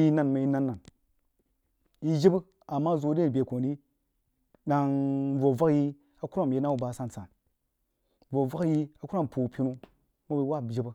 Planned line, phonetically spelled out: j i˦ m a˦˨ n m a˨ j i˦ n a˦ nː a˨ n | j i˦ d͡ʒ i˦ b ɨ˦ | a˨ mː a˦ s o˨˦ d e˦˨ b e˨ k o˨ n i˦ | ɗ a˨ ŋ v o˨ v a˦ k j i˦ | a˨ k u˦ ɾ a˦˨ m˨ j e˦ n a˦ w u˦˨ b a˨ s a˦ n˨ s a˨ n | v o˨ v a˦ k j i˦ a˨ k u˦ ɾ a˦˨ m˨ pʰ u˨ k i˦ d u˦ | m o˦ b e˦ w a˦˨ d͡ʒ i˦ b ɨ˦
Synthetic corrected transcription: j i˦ n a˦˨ n m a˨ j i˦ n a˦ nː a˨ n | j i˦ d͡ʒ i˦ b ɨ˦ | a˨ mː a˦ z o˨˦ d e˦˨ b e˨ k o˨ n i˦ | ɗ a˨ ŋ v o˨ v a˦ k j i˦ | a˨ k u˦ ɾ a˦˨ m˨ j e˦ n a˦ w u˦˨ b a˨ s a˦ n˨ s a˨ n | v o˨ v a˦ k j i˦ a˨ k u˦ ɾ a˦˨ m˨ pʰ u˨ p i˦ n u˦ | m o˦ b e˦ w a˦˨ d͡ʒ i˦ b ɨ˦